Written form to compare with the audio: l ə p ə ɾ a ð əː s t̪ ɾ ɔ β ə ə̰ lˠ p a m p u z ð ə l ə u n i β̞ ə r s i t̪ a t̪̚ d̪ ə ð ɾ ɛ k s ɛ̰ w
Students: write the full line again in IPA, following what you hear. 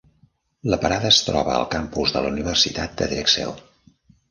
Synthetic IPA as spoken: l ə p ə ɾ a ð əː s t̪ ɾ ɔ β ə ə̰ lˠ k a m p u z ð ə l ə u n i β̞ ə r s i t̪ a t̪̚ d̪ ə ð ɾ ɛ k s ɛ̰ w